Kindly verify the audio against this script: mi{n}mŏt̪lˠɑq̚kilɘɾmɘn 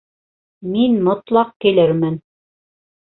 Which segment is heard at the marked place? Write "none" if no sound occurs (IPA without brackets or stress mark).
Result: n